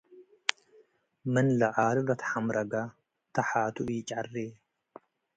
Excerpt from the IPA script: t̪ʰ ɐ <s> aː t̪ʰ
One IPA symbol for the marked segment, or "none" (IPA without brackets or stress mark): ħ